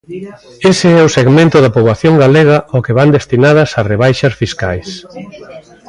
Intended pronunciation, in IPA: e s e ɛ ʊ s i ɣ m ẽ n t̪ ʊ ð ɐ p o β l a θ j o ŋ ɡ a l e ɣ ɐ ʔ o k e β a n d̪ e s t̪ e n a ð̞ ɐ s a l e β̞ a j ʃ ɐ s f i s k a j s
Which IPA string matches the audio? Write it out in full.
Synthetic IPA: e s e ɛ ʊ s e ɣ m ẽ n t̪ ʊ ð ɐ p o β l a θ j o ŋ ɡ a l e ɣ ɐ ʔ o k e β a n d̪ e s t̪ i n a ð̞ ɐ s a r e β̞ a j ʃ ɐ s f i s k a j s